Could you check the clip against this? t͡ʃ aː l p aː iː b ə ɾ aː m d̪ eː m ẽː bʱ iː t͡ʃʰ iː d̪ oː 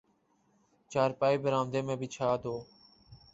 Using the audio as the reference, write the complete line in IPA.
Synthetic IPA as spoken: t͡ʃ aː ɾ p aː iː b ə ɾ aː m d̪ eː m ẽː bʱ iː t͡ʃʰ aː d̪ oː